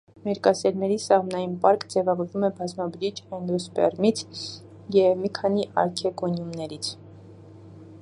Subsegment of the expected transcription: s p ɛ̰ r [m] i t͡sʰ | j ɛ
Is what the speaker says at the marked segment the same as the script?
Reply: yes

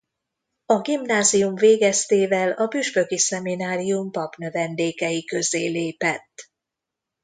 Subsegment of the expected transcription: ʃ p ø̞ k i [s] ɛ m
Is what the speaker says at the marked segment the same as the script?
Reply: yes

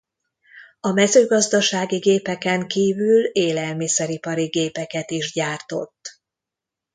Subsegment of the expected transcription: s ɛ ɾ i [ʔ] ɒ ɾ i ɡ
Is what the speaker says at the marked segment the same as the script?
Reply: no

